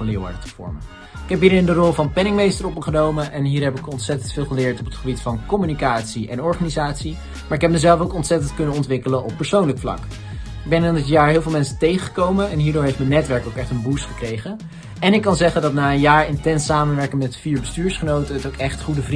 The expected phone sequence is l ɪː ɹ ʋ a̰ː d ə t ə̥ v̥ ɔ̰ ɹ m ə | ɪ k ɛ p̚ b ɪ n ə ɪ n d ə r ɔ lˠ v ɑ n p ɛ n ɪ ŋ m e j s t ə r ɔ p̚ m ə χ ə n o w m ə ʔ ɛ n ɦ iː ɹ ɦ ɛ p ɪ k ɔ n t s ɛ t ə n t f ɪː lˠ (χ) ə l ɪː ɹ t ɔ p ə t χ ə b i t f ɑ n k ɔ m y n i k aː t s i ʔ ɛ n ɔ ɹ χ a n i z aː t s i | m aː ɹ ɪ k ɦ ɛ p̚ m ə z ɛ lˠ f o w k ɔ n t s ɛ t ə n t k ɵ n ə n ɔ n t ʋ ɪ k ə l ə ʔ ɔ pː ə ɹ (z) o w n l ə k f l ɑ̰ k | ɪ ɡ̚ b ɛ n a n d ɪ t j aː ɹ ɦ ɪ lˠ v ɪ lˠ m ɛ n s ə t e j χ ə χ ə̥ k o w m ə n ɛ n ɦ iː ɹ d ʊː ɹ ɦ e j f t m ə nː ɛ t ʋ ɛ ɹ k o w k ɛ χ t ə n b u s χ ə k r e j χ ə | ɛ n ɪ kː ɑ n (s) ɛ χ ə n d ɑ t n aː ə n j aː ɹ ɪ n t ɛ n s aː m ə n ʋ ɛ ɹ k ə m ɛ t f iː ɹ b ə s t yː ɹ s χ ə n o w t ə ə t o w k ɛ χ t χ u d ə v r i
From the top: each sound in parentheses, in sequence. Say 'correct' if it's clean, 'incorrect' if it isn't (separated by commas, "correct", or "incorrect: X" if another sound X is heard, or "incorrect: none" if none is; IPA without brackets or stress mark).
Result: correct, incorrect: s, incorrect: z